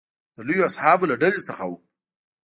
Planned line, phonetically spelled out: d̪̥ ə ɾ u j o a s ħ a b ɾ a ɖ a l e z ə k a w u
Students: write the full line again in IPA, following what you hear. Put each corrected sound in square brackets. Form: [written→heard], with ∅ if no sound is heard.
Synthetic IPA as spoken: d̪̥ ə [ɾ→l] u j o a s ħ [a→ɑ] b [ɾ→l] a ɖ a l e [z→s] ə [k→x] a w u